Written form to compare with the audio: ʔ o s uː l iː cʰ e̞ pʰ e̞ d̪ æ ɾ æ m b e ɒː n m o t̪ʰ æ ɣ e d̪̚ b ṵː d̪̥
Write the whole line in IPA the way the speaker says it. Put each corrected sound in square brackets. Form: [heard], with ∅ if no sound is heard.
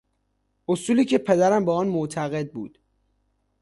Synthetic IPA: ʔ o s uː l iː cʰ e̞ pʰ e̞ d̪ æ ɾ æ m b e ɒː n m o t̪ʰ æ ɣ e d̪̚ b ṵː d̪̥